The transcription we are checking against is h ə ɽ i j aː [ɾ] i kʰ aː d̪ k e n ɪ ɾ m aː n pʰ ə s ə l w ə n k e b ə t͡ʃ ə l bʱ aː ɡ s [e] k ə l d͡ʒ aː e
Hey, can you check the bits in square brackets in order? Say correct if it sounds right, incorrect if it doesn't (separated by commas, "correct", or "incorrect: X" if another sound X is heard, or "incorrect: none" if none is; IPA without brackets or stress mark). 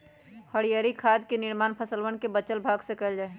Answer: correct, correct